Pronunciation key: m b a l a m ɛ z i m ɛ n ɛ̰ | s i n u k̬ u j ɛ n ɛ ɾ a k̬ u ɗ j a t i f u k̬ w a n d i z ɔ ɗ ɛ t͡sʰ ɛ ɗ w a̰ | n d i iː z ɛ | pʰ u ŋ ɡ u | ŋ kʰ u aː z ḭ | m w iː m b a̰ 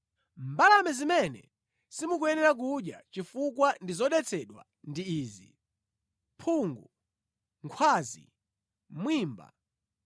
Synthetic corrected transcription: m b a l a m ɛ z i m ɛ n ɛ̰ | s i m u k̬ u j ɛ n ɛ ɾ a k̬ u ɗ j a t͡ʃ i f u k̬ w a n d i z ɔ ɗ ɛ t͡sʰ ɛ ɗ w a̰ | n d i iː z i | pʰ u ŋ ɡ u | ŋ kʰ w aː z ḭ | m w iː m b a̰